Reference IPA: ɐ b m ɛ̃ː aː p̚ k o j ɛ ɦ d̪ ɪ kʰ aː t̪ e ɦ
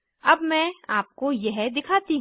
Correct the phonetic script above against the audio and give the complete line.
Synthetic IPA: ɐ b m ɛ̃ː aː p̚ k o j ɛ ɦ d̪ ɪ kʰ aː t̪ i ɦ